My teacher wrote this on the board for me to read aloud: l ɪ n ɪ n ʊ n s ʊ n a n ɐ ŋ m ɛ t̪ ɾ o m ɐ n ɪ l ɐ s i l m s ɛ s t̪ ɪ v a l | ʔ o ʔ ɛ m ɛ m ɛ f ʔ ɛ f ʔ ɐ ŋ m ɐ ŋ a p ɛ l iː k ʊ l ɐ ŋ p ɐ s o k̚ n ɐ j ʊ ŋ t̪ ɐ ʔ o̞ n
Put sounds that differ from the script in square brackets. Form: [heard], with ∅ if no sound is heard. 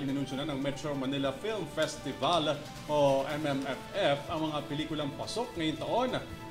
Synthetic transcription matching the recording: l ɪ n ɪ n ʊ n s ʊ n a n ɐ ŋ m ɛ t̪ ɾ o m ɐ n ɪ l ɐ [f] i l m [f] ɛ s t̪ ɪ v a l | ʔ o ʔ ɛ m ɛ m ɛ f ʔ ɛ f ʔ ɐ ŋ m ɐ ŋ a p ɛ l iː k ʊ l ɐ ŋ p ɐ s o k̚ [ŋ] ɐ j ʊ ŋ t̪ ɐ ʔ o̞ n